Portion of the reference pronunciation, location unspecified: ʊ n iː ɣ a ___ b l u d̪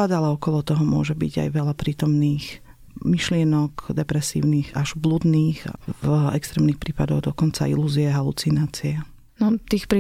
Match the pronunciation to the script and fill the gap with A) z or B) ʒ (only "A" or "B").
B